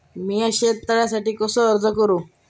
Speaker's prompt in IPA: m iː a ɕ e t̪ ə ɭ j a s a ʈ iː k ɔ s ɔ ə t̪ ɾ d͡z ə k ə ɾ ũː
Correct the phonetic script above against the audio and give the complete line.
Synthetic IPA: m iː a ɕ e t̪ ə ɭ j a s a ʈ iː k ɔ s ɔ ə ɾ d͡z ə k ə ɾ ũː

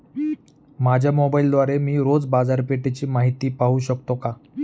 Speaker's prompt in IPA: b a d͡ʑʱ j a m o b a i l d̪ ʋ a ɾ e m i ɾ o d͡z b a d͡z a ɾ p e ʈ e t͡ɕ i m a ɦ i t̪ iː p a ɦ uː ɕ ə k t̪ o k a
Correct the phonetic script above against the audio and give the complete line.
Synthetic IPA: m a d͡ʑʱ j a m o b a i l d̪ ʋ a ɾ e m iː ɾ o d͡z b a d͡z a ɾ p e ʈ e t͡ɕ iː m a ɦ i t̪ iː p a ɦ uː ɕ ə k t̪ o k a

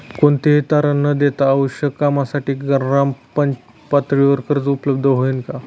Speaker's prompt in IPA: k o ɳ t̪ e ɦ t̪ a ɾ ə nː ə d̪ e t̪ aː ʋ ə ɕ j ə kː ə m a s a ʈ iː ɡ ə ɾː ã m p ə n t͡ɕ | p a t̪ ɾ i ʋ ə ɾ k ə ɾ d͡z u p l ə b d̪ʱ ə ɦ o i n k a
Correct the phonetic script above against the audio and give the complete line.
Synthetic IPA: k o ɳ t̪ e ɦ t̪ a ɾ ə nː ə d̪ e t̪ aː ʋ ə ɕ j ə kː a m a s a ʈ iː ɡ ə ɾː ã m p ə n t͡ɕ | p a t̪ ɾ i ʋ ə ɾ k ə ɾ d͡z u p l ə b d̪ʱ ə ɦ o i n k a

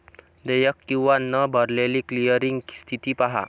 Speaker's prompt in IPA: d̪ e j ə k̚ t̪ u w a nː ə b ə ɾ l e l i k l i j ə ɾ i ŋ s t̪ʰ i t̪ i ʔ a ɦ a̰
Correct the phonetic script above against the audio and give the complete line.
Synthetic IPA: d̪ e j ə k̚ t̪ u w a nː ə b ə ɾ l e l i k l i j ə ɾ i ŋ s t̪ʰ i t̪ i p a ɦ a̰

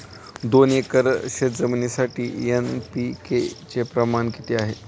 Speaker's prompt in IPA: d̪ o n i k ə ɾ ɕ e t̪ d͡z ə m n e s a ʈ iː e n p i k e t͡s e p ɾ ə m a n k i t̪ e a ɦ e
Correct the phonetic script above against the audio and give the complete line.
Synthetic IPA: d̪ o n e k ə ɾ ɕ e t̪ d͡z ə m n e s a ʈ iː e n p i k e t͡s e p ɾ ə m a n k i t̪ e a ɦ e

